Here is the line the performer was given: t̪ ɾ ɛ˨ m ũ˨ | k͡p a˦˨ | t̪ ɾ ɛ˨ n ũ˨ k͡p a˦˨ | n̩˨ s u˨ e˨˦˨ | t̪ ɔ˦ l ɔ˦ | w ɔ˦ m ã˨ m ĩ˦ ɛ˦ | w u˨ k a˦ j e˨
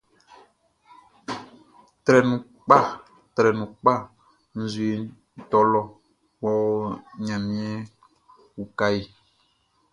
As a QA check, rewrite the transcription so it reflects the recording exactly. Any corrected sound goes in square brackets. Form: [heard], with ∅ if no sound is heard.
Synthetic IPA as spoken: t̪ ɾ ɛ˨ [n] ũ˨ | k͡p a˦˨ | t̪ ɾ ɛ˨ n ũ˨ k͡p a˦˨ | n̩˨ [z] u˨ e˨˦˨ | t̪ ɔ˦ l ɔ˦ | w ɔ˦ [ɲ] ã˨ m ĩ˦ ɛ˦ | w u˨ k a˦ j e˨